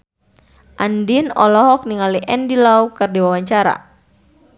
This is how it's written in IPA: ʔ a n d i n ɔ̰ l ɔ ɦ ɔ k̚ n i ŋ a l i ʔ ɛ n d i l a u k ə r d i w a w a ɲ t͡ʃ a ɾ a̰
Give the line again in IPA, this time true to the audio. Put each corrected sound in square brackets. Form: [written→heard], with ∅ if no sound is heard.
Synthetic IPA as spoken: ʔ a n d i n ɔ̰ l ɔ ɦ ɔ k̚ n i ŋ a l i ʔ ɛ n d i l a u k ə r d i w a w a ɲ t͡ʃ a ɾ a̰